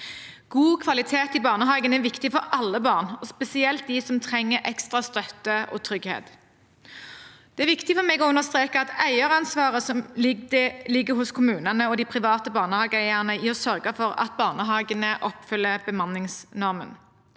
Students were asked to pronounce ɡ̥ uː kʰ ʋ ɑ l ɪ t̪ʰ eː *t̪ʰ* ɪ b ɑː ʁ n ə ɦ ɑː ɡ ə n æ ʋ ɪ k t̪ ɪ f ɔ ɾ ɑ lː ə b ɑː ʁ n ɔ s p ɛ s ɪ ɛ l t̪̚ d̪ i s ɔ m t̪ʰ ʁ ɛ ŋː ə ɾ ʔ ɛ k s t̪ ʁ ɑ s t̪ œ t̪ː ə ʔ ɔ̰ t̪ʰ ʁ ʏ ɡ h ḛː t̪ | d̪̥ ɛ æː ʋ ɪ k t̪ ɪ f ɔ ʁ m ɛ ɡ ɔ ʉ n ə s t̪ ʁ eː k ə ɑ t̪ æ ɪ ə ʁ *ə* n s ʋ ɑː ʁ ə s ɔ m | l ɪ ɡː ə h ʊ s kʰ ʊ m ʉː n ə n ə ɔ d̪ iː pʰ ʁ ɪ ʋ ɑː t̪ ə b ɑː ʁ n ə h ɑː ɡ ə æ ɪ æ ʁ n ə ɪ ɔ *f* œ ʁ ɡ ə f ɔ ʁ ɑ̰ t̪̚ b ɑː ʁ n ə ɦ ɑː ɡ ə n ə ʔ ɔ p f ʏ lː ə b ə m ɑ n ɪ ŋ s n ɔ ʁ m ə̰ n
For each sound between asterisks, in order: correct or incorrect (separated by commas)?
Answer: incorrect, incorrect, incorrect